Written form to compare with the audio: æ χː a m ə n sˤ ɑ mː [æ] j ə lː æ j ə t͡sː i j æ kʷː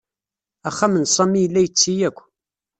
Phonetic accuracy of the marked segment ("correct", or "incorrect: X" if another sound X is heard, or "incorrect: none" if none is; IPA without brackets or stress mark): incorrect: i